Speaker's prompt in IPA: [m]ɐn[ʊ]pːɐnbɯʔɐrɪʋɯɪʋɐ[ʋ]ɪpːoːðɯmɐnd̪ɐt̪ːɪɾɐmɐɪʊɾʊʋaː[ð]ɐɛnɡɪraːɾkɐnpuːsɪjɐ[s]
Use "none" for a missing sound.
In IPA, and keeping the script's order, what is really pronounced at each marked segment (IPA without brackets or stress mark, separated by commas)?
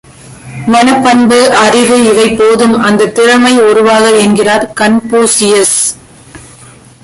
m, ɯ, none, ɣ, s